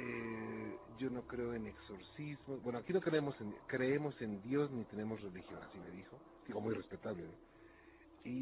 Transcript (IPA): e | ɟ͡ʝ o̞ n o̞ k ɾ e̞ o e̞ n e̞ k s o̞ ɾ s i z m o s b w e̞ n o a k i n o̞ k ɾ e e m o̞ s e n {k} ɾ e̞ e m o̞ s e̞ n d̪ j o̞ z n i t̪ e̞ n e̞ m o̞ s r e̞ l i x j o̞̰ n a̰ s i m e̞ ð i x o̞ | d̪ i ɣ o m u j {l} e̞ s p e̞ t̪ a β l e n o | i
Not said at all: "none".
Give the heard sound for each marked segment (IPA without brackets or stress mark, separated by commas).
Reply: k, r